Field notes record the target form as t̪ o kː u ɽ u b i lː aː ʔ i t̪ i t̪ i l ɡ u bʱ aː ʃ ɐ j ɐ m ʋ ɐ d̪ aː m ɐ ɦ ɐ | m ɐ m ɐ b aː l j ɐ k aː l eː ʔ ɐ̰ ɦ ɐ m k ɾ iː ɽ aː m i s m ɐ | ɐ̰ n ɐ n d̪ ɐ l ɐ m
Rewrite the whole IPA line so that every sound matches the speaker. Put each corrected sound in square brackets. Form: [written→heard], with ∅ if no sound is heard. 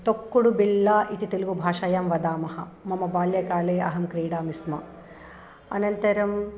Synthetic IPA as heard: t̪ o kː u ɽ u b i lː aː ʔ i t̪ i t̪ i l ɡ u bʱ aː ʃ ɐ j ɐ m ʋ ɐ d̪ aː m ɐ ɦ ɐ | m ɐ m ɐ b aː l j ɐ k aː l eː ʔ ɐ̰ ɦ ɐ m k ɾ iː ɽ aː m i s m ɐ | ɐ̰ n ɐ n [d̪→t̪] ɐ [l→ɾ] ɐ m